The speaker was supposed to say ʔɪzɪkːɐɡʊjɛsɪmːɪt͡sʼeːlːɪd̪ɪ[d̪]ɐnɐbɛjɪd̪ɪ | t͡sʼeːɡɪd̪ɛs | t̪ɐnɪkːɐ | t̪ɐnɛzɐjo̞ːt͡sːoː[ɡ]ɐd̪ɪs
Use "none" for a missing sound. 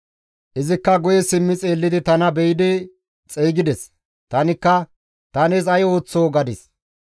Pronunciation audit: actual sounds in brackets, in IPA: t̪, ɡ

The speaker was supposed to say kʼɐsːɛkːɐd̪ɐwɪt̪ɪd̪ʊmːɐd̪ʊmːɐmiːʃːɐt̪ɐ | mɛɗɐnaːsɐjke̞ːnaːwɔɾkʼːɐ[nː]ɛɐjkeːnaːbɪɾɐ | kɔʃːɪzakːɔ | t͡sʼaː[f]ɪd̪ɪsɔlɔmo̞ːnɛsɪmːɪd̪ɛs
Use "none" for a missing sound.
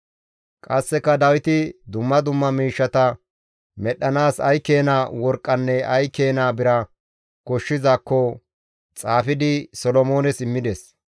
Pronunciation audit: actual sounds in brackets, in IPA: nː, f

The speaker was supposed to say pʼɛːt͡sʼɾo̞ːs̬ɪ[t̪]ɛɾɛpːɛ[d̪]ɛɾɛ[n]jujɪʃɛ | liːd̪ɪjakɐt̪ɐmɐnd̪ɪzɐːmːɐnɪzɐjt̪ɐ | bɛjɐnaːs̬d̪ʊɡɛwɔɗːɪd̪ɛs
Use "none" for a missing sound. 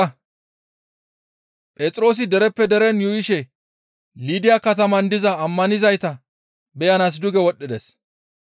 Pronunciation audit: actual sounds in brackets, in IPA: d̪, d̪, n

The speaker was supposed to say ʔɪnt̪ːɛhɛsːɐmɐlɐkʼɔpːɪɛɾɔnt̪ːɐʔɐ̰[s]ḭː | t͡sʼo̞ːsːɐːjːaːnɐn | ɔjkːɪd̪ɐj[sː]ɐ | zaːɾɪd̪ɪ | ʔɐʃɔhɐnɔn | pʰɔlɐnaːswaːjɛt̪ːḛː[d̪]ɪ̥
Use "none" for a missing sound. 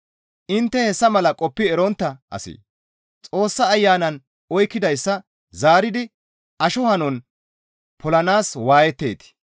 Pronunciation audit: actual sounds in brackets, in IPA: s, sː, t̪

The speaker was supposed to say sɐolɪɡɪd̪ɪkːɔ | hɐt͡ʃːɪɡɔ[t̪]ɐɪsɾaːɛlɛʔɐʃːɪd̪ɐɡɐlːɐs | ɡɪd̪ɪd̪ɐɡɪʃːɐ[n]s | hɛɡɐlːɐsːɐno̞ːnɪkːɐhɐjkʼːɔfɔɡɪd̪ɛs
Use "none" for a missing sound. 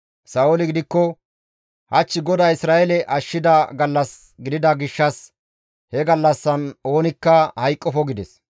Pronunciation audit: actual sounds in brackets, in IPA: d̪, none

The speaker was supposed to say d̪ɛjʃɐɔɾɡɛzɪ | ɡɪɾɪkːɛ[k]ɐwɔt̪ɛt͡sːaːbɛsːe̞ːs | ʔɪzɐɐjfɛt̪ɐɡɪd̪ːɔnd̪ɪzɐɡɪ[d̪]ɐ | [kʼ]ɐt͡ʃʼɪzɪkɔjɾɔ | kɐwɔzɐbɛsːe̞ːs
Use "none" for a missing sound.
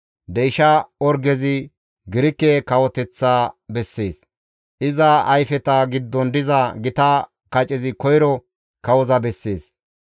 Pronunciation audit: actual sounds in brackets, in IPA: k, t̪, k

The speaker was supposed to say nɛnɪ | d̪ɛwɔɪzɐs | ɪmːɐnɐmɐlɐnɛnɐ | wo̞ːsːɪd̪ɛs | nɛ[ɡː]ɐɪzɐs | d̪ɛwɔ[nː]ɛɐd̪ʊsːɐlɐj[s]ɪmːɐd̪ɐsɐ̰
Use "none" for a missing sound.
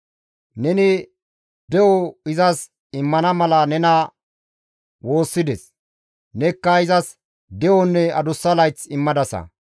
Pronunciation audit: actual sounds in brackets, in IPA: kː, nː, t͡s

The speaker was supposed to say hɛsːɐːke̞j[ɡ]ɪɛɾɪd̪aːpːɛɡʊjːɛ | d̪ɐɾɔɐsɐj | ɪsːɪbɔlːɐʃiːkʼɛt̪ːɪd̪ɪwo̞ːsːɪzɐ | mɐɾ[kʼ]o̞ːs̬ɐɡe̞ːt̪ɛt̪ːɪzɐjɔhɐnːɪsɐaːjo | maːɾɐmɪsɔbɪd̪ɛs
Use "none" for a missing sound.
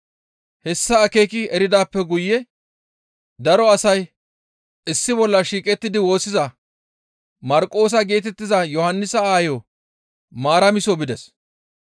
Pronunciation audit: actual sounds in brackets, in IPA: k, kʼ

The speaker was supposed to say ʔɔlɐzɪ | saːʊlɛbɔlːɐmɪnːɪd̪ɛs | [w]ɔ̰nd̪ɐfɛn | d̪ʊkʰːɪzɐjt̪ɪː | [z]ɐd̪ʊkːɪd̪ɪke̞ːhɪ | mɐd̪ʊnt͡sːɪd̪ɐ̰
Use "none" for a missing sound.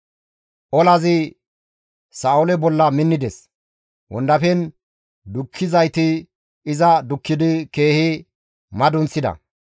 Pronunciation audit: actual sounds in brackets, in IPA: w, z

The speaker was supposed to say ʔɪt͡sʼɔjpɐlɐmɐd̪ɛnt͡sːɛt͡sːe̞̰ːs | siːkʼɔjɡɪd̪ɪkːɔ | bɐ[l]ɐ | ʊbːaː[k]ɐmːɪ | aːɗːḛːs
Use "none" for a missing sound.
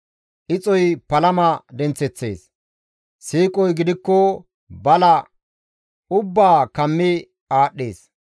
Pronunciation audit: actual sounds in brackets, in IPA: l, k

